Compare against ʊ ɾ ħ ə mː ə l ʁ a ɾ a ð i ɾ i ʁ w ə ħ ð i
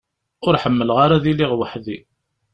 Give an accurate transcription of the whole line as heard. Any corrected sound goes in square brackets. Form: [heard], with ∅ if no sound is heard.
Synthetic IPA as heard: ʊ ɾ ħ ə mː ə l ʁ a ɾ a ð i [l] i ʁ w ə ħ ð i